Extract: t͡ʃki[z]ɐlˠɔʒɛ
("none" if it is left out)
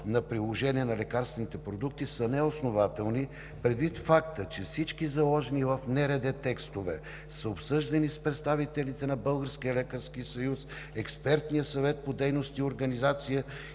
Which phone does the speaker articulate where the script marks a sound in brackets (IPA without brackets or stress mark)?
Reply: z